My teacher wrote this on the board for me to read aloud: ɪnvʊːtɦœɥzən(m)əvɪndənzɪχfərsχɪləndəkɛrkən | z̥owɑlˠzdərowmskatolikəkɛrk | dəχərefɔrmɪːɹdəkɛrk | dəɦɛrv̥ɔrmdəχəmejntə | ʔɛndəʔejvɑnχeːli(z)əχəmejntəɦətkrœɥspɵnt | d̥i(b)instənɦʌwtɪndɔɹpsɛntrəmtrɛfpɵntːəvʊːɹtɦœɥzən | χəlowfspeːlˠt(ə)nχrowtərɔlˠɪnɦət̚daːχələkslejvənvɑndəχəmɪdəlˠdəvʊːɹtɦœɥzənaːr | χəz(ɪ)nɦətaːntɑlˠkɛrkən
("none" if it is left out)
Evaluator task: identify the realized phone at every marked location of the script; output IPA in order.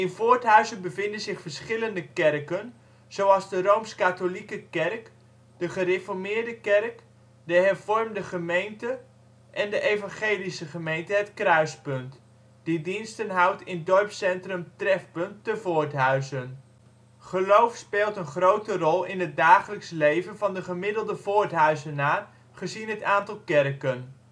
b, s, d, ə, i

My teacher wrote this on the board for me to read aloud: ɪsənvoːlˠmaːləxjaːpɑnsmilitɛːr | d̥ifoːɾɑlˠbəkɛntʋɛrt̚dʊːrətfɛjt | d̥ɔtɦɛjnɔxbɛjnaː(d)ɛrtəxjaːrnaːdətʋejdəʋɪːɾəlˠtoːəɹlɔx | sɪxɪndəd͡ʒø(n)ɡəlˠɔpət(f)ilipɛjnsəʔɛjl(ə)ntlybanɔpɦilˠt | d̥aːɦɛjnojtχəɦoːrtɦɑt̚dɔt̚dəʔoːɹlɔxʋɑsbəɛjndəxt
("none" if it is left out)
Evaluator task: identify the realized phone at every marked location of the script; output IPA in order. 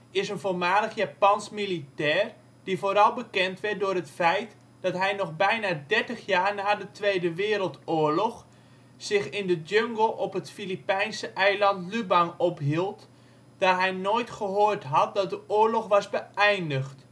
d, ŋ, f, ɑ

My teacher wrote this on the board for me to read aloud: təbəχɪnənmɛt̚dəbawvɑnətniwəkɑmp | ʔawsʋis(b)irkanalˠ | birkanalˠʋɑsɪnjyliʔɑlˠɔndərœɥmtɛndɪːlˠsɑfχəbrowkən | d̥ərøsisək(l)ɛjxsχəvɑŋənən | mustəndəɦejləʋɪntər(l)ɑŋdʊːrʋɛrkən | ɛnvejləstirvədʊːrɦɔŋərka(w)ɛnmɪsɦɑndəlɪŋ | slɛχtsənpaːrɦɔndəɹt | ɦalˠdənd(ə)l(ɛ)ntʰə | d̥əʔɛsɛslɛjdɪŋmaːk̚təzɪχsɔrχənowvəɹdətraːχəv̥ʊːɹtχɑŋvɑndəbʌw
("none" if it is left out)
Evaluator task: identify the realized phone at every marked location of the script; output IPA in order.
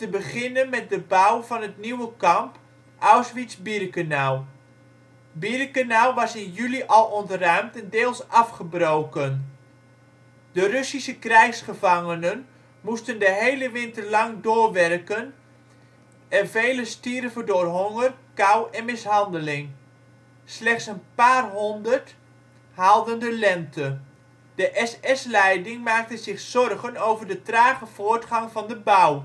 b, r, l, w, ə, ɛ

